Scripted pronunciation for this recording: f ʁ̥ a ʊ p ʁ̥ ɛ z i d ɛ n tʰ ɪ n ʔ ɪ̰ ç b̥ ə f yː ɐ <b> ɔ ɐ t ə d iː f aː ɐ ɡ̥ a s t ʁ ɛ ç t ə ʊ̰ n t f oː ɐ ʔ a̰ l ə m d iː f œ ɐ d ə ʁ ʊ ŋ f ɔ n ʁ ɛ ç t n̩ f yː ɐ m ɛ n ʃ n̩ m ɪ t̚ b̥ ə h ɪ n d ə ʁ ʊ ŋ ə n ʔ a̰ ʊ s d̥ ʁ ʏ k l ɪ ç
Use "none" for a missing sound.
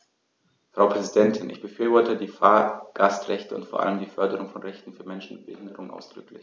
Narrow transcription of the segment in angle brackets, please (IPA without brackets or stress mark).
v